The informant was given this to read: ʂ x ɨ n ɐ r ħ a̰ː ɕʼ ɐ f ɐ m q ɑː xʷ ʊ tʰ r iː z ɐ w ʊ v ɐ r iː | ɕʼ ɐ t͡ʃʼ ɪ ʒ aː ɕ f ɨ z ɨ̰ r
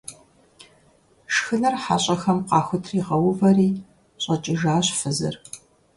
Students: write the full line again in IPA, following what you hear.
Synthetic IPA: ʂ x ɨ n ɐ r ħ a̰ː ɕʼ ɐ x ɐ m q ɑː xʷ ʊ tʰ r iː ʁ ɐ w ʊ v ɐ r iː | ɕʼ ɐ t͡ʃʼ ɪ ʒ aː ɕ f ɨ z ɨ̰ r

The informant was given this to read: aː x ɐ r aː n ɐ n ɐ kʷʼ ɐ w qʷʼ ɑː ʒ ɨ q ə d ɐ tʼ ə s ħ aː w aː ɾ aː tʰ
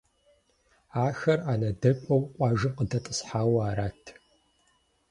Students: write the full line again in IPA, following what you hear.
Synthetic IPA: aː x ɐ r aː n ɐ d ɐ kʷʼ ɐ w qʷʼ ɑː ʒ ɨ q ə d ɐ tʼ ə s ħ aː w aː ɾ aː tʰ

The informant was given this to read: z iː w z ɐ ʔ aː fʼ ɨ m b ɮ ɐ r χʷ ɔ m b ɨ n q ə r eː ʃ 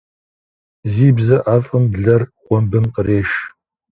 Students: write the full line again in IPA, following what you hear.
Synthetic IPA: z iː b z ɐ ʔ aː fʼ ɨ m b ɮ ɐ r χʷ ɔ m b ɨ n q ə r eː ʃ

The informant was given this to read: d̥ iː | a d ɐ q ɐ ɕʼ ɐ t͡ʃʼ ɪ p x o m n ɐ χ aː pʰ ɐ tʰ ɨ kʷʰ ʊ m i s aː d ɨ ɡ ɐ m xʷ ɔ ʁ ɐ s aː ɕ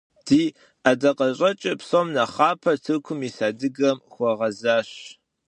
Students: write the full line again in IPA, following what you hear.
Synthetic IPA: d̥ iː | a d ɐ q ɐ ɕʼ ɐ t͡ʃʼ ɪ p s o m n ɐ χ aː pʰ ɐ tʰ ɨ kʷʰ ʊ m i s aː d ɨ ɡ ɐ m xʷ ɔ ʁ ɐ z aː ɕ

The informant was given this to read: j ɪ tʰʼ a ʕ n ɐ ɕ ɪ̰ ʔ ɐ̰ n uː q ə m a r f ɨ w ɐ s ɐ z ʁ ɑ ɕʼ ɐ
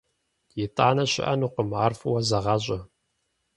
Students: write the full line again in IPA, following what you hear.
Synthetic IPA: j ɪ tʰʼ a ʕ n ɐ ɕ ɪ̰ ʔ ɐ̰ n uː q ə m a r f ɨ w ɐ z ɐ ʁ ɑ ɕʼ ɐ

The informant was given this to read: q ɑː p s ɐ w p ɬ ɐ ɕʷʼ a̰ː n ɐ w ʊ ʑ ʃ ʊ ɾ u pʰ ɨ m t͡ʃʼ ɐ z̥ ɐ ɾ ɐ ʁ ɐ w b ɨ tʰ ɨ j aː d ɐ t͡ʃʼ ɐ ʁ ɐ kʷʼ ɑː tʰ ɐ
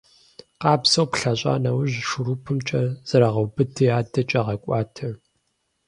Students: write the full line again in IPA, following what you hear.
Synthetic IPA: q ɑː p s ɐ w p ɬ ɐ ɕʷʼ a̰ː n ɐ w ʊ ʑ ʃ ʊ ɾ u pʰ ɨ m t͡ʃʼ ɐ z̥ ɐ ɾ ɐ ʁ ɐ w b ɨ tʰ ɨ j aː d ɐ t͡ʃʼ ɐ ʁ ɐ kʷʼ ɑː tʰ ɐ

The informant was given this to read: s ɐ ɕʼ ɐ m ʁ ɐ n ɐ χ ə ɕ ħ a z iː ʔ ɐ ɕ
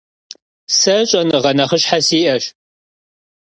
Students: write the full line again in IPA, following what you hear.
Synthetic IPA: s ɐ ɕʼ ɐ n ʁ ɐ n ɐ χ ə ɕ ħ a s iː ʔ ɐ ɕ

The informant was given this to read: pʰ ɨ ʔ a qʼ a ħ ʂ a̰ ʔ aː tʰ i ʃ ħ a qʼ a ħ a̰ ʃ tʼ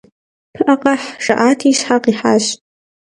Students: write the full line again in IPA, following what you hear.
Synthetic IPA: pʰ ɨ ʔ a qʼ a ħ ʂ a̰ ʔ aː tʰ i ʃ ħ a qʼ i ħ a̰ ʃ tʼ

